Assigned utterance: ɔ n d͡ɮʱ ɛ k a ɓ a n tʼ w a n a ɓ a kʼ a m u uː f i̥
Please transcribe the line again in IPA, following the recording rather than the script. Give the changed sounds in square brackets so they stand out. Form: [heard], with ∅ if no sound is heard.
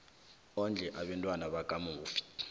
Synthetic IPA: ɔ n d͡ɮʱ ɛ [ʔ] a ɓ [ɛ] n tʼ w a n a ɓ a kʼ a m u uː f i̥